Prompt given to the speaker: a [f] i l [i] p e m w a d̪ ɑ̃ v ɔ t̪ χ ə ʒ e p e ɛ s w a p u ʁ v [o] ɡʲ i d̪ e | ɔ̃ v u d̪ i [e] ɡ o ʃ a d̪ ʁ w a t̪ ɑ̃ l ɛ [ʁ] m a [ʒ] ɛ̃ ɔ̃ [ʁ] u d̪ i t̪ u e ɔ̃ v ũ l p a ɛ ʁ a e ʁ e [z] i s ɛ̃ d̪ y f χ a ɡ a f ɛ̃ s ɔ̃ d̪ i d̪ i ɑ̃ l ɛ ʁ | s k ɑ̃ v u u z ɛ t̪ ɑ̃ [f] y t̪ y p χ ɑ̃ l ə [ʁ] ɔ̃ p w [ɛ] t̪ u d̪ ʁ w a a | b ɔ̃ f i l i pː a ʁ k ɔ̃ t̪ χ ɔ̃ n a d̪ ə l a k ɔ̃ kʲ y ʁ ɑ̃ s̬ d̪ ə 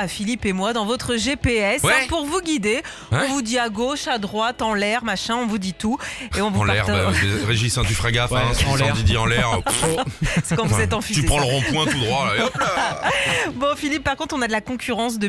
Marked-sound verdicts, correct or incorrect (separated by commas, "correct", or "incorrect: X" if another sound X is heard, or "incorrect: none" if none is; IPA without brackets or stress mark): correct, correct, incorrect: u, incorrect: a, correct, incorrect: ʃ, incorrect: v, incorrect: ʒ, correct, correct, incorrect: ɛ̃